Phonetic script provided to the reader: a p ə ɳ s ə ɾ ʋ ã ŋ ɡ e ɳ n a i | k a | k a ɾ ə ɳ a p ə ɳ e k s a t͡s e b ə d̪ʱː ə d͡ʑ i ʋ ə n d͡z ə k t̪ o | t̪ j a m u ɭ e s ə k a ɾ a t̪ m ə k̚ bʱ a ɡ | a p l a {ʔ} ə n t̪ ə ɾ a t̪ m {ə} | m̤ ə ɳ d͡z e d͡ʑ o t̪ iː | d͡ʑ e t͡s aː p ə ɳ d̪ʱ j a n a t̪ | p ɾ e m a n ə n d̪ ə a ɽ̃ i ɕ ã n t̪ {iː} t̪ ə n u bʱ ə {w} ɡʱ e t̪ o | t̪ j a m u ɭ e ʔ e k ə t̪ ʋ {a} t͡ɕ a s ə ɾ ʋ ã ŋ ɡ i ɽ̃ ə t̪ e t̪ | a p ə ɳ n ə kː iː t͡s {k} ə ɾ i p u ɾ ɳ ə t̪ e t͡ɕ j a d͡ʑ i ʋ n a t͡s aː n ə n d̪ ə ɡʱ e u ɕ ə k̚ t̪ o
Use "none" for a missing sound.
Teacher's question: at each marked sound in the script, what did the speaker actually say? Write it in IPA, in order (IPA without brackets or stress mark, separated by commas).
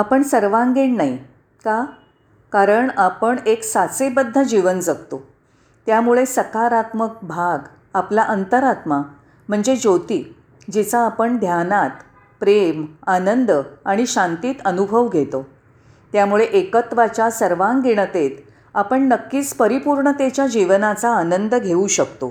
ʔ, a, iː, ʋ, a, p